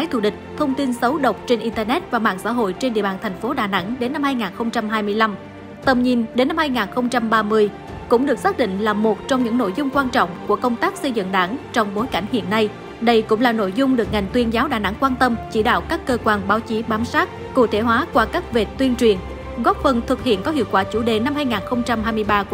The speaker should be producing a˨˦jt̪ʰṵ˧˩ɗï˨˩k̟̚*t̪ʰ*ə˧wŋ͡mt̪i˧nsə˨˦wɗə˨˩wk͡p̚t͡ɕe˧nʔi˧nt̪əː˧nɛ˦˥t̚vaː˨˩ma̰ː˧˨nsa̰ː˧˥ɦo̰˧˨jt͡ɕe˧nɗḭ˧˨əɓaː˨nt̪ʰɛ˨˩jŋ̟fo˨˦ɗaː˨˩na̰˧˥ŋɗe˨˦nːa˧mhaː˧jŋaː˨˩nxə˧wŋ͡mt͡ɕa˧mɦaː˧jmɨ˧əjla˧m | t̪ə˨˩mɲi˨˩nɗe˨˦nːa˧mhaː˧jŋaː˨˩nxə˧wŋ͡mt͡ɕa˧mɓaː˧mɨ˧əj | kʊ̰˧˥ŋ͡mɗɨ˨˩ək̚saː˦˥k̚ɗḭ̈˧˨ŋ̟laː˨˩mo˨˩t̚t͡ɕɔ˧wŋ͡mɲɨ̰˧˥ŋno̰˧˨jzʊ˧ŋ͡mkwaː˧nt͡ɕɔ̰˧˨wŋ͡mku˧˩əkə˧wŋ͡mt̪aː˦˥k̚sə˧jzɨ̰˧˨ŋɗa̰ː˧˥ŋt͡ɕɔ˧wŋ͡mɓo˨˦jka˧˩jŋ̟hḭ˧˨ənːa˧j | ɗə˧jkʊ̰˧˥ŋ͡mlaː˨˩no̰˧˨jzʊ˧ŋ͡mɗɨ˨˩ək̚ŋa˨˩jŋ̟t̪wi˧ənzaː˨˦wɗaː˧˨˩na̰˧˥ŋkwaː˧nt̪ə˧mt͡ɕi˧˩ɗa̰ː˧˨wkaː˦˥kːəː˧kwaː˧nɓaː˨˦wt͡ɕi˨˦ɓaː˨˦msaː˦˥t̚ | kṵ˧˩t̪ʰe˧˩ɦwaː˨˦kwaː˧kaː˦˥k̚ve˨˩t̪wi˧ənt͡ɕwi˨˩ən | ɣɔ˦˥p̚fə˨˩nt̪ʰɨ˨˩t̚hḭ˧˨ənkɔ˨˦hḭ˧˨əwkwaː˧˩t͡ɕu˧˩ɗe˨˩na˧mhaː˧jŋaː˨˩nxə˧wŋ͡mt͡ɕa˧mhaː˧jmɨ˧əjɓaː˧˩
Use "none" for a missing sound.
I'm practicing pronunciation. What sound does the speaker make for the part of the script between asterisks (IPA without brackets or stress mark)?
t̪ʰ